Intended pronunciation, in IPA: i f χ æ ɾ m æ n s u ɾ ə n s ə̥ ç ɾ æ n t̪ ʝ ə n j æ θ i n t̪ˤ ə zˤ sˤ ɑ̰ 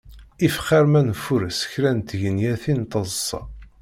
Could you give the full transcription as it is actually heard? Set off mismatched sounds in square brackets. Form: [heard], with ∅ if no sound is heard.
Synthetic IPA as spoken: i f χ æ ɾ m æ n [f] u ɾ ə [∅] s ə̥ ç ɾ æ n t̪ ʝ ə n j æ θ i n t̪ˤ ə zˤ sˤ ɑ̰